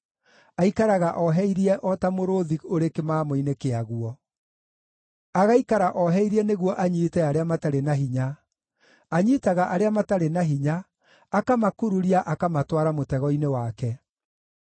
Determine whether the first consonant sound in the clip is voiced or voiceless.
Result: voiceless